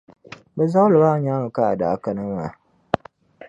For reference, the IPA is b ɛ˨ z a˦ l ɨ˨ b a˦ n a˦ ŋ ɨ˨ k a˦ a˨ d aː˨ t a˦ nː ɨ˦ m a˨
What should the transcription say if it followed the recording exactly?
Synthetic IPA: b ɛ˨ z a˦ l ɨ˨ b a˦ ɲ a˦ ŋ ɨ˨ k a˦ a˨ d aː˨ k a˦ n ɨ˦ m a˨

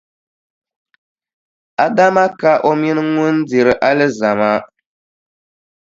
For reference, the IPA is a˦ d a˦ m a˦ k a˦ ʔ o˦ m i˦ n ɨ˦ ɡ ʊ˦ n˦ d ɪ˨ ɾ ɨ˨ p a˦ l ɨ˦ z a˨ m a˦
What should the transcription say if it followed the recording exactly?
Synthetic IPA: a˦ d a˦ m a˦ k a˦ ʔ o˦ m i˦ n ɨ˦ ŋ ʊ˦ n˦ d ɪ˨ ɾ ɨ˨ ʔ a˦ l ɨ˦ z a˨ m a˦

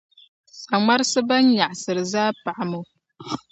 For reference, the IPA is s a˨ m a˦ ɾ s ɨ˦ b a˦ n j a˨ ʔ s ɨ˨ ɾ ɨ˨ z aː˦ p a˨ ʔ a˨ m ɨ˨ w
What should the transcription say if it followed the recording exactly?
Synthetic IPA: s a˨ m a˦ ɾ s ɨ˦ b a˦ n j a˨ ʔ s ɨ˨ ɾ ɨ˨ z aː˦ p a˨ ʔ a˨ m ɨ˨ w

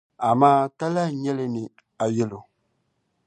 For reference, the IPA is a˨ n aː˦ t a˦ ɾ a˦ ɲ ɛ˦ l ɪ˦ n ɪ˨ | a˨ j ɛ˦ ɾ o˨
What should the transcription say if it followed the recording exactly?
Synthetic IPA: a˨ m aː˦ t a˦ l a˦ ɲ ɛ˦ l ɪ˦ n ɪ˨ | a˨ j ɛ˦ l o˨

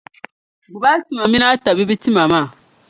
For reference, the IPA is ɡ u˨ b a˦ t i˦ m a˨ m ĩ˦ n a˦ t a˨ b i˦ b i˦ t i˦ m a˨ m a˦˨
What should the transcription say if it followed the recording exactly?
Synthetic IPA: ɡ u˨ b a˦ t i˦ m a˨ m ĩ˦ n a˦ t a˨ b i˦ b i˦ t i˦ m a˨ m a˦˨

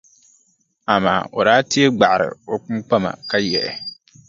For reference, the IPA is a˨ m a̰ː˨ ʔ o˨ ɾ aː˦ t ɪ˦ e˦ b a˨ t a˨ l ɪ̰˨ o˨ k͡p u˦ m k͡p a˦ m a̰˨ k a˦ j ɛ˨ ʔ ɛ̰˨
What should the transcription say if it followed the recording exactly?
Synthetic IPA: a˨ m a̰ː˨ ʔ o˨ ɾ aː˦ t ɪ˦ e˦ ɡ͡b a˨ ʔ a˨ ɾ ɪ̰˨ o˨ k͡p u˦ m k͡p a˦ m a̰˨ k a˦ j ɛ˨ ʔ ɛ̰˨

